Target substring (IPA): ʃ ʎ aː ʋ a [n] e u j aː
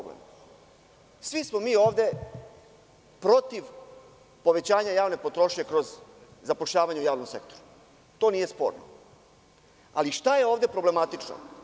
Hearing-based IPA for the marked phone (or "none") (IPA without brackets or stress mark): ɲ